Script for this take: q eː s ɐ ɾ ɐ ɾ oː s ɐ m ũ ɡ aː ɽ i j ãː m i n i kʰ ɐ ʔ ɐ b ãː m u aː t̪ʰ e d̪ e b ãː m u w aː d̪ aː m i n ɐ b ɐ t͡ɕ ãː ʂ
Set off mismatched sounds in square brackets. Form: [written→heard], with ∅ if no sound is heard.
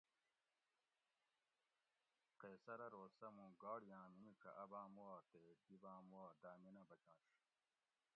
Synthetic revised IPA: q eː s ɐ ɾ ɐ ɾ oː s ɐ m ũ ɡ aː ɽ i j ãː m i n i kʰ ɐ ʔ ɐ b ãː m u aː [t̪ʰ→t̪] e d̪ [e→i] b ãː m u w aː d̪ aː m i n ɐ b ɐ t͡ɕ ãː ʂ